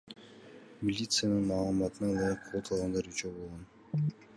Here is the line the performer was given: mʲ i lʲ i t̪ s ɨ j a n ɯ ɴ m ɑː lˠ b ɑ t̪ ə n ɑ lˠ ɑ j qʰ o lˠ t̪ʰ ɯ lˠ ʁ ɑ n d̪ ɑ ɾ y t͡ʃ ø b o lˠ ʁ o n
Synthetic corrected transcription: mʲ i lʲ i t̪ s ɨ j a n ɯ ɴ m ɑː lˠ m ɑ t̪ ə n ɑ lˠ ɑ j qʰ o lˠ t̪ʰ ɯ lˠ ʁ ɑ n d̪ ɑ ɾ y t͡ʃ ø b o lˠ ʁ o n

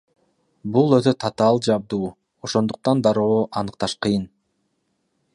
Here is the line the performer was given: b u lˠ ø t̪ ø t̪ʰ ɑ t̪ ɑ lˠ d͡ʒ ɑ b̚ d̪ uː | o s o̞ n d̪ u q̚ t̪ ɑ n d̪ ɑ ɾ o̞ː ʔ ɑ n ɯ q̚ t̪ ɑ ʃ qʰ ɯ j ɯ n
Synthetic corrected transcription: b u lˠ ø t̪ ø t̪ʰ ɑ t̪ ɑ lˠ d͡ʒ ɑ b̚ d̪ uː | o ʃ o̞ n d̪ u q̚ t̪ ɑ n d̪ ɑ ɾ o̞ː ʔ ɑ n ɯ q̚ t̪ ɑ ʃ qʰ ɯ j ɯ n

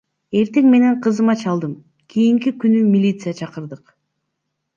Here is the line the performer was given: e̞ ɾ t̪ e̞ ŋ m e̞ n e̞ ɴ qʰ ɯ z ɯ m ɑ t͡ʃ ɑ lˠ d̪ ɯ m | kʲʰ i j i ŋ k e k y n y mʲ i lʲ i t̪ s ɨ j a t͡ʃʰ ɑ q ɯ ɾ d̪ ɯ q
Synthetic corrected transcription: e̞ ɾ t̪ e̞ ŋ m e̞ n e̞ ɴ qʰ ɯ z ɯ m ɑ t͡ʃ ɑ lˠ d̪ ɯ m | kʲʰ i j i ŋ k i k y n y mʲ i lʲ i t̪ s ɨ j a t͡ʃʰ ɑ q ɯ ɾ d̪ ɯ q

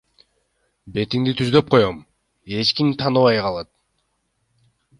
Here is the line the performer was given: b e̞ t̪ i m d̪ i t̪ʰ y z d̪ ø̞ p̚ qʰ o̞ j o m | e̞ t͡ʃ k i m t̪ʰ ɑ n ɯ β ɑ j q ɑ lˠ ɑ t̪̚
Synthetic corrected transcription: b e̞ t̪ i ŋ d̪ i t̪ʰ y z d̪ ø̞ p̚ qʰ o̞ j o m | e̞ t͡ʃ k i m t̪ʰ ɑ n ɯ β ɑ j q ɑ lˠ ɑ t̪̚

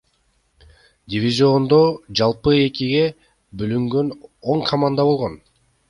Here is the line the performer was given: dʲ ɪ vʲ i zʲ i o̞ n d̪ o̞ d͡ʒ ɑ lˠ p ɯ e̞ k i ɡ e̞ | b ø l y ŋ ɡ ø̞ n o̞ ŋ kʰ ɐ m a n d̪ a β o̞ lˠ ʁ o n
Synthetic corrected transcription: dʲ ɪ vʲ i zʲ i o̞ n d̪ o̞ d͡ʒ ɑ lˠ p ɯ e̞ k i ɡ e̞ | b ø l y ŋ ɡ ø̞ n o̞ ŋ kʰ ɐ m a n d̪ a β o̞ lˠ ʁ o n

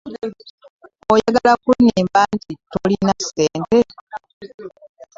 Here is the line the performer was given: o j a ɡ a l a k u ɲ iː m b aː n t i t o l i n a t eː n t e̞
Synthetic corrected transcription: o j a ɡ a l a k u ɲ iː m b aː n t i t o l i n a s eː n t e̞

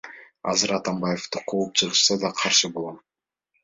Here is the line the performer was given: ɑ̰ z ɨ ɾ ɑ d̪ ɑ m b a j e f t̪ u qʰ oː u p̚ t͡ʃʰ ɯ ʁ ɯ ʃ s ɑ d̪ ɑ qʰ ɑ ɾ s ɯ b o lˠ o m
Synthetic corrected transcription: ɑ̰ z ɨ ɾ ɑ t̪ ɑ m b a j e f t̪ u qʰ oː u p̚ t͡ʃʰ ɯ ʁ ɯ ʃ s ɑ d̪ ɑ qʰ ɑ ɾ ʃ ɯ b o lˠ o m

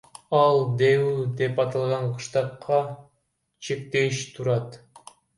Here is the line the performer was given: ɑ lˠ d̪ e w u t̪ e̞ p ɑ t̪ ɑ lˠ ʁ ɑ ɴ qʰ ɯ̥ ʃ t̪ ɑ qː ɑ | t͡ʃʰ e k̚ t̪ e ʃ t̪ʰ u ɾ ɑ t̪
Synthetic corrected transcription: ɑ lˠ d̪ e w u d̪ e̞ p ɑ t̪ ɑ lˠ ʁ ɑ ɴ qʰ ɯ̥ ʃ t̪ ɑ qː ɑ | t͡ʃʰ e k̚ t̪ e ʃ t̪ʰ u ɾ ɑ t̪

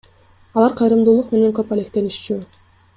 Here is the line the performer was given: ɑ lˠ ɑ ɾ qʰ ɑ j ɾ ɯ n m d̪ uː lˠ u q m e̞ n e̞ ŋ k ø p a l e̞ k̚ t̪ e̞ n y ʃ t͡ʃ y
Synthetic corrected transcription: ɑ lˠ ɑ ɾ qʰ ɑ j ɾ ɯ m d̪ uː lˠ u q m e̞ n e̞ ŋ k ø p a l e̞ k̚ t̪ e̞ n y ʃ t͡ʃ y

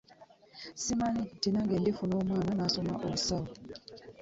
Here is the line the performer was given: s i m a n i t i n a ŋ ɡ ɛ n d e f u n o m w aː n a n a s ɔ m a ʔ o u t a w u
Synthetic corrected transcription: s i m a n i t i n a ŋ ɡ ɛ n d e f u n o m w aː n a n a s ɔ m a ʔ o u s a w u

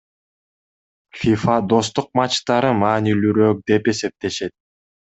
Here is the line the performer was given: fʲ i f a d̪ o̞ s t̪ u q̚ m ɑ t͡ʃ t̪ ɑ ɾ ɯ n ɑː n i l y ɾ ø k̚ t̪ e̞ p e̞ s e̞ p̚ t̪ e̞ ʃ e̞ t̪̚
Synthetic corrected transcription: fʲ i f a d̪ o̞ s t̪ u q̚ m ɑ t͡ʃ t̪ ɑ ɾ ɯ m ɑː n i l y ɾ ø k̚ d̪ e̞ p e̞ s e̞ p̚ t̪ e̞ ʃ e̞ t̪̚

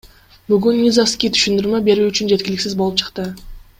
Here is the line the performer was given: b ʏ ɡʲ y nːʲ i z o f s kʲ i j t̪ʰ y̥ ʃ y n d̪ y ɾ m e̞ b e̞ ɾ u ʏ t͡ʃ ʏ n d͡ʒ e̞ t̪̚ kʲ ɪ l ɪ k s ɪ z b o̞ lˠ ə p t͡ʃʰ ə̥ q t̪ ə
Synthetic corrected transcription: b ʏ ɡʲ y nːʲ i z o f s kʲ i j t̪ʰ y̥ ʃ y n d̪ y ɾ m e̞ b e̞ ɾ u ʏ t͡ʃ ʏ n d͡ʒ e̞ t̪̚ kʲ ɪ l ɪ k s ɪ z b o̞ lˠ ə p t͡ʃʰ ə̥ q t̪ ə

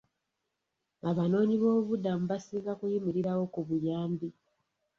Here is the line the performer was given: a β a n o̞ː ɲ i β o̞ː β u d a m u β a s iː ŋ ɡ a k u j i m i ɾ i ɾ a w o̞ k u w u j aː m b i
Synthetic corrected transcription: a β a n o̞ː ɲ i β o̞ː β u d a m u β a s iː ŋ ɡ a k u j i m i ɾ i ɾ a w o̞ k u β u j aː m b i

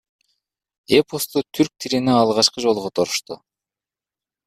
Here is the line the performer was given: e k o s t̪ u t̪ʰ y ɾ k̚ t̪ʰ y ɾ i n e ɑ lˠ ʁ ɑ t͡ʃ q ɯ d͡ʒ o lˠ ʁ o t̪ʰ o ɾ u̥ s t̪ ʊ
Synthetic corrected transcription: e p o s t̪ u t̪ʰ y ɾ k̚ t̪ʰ i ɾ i n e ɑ lˠ ʁ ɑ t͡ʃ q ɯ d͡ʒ o lˠ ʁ o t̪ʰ o ɾ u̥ ʃ t̪ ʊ

